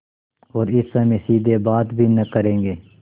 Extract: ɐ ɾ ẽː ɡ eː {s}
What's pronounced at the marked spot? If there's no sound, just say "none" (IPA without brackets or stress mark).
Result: none